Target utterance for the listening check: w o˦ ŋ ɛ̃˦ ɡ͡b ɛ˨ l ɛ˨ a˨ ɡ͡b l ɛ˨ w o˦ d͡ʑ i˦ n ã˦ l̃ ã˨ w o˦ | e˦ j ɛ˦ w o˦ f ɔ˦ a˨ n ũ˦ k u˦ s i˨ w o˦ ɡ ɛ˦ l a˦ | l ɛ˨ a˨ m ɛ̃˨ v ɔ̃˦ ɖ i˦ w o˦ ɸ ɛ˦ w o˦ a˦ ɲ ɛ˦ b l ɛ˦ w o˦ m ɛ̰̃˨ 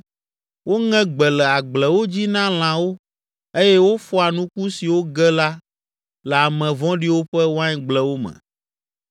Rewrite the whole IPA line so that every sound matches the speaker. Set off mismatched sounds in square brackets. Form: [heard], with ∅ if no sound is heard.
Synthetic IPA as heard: w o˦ ŋ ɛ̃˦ ɡ͡b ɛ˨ l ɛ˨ a˨ ɡ͡b l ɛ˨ w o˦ d͡ʑ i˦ n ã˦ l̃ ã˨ w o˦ | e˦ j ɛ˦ w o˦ f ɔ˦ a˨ n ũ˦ k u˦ s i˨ w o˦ ɡ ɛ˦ l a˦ | l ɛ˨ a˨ m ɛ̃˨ v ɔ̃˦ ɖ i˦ w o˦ ɸ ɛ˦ w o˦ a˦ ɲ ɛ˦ [ɡ͡b] l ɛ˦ w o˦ m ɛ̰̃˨